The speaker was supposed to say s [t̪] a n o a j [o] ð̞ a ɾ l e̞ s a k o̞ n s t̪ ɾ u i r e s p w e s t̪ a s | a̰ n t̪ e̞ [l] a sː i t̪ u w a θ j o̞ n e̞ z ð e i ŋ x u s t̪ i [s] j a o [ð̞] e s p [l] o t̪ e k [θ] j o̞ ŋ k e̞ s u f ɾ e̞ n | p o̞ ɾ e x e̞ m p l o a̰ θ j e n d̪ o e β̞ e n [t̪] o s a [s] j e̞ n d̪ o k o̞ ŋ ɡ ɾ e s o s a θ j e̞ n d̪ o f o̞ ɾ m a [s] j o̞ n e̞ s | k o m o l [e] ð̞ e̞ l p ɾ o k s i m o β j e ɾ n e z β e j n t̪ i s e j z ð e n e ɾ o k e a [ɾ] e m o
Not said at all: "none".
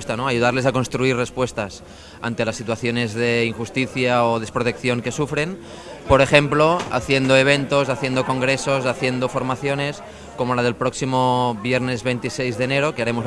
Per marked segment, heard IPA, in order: t̪, u, l, θ, ð̞, ɾ, θ, t̪, θ, θ, a, ɾ

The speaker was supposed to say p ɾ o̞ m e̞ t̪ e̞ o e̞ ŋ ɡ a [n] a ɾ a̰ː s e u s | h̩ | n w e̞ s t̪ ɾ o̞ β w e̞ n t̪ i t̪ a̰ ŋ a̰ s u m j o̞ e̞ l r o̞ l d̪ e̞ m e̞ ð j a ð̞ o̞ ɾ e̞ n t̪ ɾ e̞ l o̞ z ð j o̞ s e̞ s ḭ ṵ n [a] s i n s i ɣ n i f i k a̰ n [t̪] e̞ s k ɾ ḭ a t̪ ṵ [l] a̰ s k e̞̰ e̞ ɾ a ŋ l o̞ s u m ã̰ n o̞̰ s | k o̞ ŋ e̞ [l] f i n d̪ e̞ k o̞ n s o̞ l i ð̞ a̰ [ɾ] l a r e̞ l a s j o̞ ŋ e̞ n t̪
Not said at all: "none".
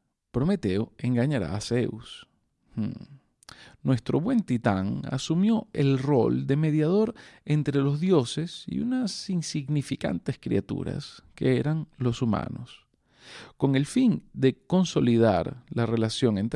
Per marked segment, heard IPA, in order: ɲ, a, t̪, ɾ, l, ɾ

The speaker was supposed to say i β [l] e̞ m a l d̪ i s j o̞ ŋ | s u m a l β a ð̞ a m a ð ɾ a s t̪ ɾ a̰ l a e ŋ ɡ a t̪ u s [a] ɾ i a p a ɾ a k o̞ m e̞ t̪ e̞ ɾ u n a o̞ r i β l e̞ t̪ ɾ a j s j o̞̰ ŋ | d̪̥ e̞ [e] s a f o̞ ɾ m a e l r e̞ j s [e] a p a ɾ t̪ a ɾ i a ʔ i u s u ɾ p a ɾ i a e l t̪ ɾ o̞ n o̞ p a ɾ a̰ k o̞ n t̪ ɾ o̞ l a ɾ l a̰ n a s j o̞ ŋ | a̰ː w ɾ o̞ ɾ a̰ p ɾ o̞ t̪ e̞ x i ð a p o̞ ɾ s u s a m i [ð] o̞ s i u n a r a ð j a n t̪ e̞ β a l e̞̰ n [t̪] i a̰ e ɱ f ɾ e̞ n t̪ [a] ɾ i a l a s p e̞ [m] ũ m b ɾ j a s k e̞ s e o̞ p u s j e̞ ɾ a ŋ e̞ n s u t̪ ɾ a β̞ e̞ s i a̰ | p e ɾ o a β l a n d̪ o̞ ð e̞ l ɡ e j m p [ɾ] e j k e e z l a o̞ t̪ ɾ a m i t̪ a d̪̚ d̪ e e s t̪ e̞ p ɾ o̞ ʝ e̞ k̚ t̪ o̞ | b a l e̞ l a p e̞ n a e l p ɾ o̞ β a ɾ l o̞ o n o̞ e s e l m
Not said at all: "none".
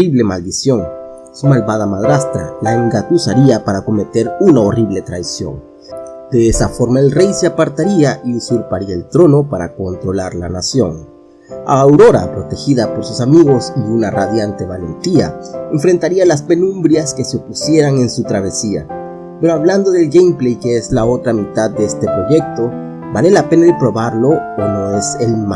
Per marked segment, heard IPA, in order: l, a, e, e, ɣ, t̪, a, n, l

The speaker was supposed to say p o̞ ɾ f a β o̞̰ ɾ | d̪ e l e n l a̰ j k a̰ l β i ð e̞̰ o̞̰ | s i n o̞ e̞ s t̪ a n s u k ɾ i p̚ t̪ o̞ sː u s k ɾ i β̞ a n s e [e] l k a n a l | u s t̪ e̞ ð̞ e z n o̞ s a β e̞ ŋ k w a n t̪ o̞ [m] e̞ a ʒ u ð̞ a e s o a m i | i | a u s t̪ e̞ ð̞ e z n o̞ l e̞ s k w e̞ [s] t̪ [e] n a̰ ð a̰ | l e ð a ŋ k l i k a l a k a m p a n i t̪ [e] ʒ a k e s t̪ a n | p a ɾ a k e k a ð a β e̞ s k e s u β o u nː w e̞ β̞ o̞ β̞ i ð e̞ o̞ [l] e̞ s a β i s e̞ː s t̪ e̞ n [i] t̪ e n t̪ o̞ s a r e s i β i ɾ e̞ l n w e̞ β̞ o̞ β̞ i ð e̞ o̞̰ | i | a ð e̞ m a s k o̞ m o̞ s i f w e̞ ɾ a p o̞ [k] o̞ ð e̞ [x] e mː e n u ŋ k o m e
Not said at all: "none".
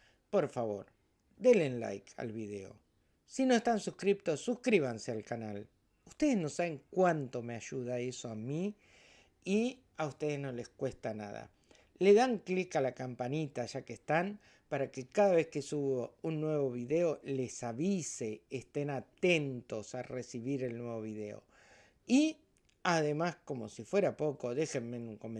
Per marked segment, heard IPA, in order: a, m, s, a, a, l, a, k, x

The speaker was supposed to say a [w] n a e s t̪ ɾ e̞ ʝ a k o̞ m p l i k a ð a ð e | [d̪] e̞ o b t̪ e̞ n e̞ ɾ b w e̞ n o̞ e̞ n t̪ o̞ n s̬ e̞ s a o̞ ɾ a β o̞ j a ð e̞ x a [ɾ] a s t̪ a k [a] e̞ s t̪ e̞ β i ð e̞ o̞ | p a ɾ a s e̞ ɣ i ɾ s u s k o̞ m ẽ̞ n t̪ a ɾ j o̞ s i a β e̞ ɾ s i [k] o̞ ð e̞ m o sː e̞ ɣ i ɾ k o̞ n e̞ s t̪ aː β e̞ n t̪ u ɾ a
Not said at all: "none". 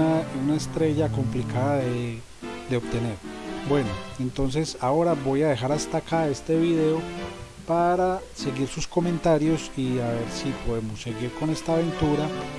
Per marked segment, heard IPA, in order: u, d̪, ɾ, a, p

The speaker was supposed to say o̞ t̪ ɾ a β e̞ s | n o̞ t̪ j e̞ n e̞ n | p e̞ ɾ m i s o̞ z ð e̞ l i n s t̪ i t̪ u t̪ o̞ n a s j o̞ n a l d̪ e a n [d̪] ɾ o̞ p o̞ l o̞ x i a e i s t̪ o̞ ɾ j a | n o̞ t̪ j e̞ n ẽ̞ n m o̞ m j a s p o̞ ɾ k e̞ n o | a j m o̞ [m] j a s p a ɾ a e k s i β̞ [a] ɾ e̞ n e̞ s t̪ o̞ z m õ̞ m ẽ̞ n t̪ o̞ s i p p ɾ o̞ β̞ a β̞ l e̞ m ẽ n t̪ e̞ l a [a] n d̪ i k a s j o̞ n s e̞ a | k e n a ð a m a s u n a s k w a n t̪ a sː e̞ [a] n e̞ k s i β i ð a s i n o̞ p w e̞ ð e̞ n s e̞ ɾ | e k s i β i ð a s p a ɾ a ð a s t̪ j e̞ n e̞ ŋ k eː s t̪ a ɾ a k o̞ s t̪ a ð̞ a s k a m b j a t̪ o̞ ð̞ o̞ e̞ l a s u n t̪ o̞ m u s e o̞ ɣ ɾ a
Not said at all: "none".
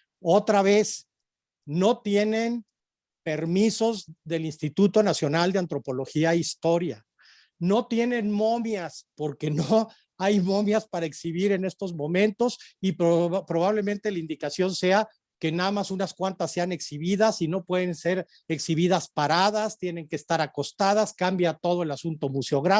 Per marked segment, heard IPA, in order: t̪, m, i, i, a

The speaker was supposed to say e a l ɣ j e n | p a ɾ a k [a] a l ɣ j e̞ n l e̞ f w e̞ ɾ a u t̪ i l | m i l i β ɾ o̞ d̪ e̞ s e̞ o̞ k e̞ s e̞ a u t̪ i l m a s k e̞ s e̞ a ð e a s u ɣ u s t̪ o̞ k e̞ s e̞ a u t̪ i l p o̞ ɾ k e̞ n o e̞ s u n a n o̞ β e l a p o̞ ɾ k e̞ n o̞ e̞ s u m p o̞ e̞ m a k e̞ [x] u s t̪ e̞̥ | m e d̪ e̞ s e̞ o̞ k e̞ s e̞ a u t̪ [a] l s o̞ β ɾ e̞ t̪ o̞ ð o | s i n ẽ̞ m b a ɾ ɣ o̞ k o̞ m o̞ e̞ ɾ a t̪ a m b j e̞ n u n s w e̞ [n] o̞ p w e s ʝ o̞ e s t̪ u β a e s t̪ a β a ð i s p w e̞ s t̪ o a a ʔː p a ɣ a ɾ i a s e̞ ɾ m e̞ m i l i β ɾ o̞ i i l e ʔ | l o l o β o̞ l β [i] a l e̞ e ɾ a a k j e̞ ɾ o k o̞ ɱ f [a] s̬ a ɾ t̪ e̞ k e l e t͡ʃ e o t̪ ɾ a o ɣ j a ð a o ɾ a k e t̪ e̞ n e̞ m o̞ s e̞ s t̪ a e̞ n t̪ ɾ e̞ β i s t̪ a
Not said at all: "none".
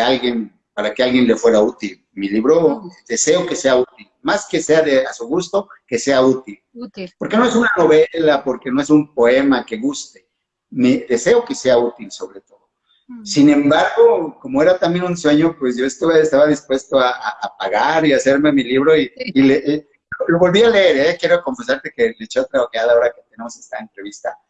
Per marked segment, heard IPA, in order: e, ɣ, i, ɲ, i, e

